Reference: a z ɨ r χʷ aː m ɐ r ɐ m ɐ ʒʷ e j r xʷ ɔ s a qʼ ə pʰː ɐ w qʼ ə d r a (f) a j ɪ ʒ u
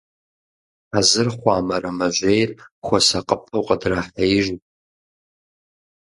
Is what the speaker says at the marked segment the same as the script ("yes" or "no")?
no